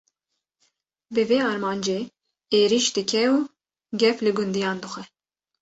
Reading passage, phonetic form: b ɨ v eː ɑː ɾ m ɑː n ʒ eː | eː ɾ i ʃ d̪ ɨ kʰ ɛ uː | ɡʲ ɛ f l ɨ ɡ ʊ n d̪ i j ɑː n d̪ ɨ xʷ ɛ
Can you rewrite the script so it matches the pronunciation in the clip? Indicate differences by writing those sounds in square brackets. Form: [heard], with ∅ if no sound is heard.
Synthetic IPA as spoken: b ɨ v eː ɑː ɾ m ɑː n [d͡ʒ] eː | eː ɾ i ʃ d̪ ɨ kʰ ɛ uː | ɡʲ ɛ f l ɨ ɡ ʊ n d̪ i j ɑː n d̪ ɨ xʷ ɛ